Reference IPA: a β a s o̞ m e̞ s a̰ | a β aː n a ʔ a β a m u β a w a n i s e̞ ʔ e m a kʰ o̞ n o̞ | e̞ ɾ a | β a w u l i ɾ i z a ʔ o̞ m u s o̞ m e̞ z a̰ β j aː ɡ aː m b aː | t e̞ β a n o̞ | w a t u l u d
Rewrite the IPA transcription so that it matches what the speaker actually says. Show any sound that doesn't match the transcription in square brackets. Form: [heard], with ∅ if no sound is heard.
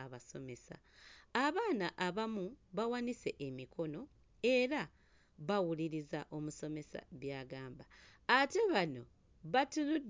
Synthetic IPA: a β a s o̞ m e̞ s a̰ | a β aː n a ʔ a β a m u β a w a n i s e̞ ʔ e m [i] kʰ o̞ n o̞ | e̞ ɾ a | β a w u l i ɾ i z a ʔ o̞ m u s o̞ m e̞ [s] a̰ β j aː ɡ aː m b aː | t e̞ β a n o̞ | [β] a t u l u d